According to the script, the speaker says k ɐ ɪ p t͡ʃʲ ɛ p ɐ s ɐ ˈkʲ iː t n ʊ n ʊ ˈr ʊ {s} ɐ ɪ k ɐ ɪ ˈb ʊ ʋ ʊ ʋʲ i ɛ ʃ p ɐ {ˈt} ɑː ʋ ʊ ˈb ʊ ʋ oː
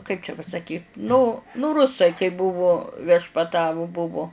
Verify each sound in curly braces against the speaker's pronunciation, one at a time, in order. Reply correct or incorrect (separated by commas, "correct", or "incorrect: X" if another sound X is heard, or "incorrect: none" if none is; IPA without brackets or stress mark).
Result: correct, correct